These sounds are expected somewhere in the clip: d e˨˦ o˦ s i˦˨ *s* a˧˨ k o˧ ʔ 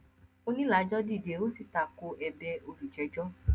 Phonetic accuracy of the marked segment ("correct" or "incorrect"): incorrect